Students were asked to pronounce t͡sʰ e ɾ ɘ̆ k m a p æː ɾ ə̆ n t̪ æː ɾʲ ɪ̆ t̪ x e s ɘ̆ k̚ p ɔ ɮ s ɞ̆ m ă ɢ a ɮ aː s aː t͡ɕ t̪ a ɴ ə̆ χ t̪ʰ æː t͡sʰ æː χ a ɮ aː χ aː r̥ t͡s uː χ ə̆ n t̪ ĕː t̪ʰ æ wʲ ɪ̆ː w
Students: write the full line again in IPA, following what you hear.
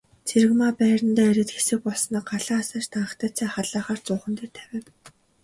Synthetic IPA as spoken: t͡sʰ e ɾ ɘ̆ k m a p æː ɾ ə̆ n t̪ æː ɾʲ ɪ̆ t̪ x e s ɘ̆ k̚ p ɔ ɮ s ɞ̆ n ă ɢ a ɮ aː s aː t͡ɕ t̪ a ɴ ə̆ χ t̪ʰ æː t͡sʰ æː χ a ɮ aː χ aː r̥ t͡s ʊː χ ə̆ n t̪ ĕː t̪ʰ æ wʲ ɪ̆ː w